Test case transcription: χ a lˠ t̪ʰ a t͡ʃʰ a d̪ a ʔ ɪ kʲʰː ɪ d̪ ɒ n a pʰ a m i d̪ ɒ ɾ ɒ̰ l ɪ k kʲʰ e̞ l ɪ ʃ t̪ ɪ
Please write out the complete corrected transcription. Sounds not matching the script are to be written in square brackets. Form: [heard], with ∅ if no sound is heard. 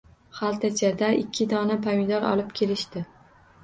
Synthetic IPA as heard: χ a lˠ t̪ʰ a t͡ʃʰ a d̪ a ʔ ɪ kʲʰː ɪ d̪ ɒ n a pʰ a m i d̪ ɒ ɾ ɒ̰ l ɪ [p] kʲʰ e̞ l ɪ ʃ t̪ ɪ